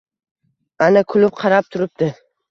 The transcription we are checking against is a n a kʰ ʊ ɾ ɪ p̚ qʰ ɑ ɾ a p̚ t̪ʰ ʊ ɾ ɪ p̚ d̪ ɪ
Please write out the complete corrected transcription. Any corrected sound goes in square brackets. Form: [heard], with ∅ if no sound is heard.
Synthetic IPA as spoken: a n a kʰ ʊ [l] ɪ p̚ qʰ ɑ ɾ a p̚ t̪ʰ ʊ ɾ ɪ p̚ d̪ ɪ